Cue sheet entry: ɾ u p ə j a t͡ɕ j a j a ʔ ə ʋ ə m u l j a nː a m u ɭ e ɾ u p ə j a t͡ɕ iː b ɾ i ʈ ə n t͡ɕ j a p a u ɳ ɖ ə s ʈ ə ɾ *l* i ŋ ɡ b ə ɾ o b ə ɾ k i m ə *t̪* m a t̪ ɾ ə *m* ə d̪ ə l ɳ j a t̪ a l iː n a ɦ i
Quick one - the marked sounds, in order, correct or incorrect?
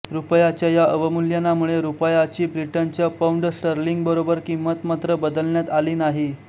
correct, correct, incorrect: b

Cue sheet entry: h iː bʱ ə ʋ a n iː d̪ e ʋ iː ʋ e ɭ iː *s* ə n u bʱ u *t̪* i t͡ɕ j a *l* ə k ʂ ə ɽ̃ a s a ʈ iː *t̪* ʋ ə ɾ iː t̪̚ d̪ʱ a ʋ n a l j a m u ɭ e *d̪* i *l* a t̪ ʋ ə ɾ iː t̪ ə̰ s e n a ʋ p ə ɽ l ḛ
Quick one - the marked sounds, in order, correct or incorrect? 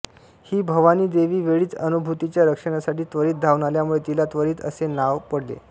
incorrect: t͡s, correct, incorrect: ɾ, correct, incorrect: t̪, correct

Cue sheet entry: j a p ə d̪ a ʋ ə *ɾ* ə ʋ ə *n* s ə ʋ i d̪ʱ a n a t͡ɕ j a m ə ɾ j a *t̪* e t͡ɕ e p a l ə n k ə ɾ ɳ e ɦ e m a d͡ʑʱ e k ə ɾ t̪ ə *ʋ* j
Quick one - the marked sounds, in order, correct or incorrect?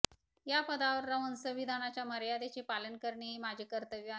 incorrect: ɾː, correct, incorrect: d̪, correct

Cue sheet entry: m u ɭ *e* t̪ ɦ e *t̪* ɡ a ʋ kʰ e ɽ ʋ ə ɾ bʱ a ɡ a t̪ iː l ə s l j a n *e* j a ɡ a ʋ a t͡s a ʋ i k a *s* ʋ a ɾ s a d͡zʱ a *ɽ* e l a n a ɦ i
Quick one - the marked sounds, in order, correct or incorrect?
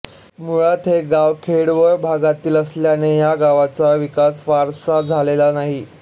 incorrect: a, incorrect: none, correct, correct, incorrect: l

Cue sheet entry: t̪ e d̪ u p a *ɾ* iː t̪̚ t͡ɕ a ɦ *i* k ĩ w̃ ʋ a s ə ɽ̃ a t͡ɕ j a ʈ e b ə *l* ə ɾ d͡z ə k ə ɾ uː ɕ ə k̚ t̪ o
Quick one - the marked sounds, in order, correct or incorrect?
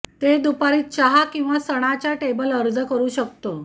correct, incorrect: a, correct

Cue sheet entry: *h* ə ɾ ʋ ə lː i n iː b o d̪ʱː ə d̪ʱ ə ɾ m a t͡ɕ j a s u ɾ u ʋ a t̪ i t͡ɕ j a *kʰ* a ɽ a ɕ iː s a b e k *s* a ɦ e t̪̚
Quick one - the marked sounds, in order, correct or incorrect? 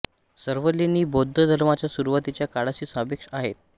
incorrect: s, incorrect: k, incorrect: ʂ

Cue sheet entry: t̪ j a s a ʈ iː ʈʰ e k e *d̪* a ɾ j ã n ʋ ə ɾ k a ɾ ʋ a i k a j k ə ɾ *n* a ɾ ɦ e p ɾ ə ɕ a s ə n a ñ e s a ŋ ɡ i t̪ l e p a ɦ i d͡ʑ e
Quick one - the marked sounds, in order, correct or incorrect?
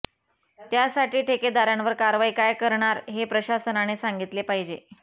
correct, incorrect: ɳ

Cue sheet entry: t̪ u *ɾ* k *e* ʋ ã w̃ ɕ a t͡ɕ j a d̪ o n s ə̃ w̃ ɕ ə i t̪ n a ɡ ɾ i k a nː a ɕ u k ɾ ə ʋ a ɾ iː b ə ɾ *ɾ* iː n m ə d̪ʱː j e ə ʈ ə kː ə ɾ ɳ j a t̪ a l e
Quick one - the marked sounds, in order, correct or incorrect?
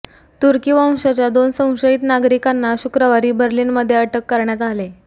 correct, incorrect: i, incorrect: l

